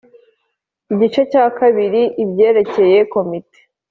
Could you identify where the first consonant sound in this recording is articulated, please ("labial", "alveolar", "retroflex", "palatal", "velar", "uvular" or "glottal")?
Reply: palatal